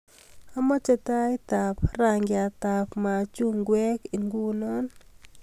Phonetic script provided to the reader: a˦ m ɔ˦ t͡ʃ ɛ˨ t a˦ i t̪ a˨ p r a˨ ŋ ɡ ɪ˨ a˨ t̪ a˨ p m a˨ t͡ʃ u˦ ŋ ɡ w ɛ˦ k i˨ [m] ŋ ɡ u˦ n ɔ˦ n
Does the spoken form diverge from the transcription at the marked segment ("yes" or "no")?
yes